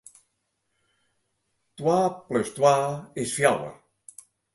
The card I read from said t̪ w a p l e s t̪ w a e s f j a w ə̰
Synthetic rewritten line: t̪ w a p l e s t̪ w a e s f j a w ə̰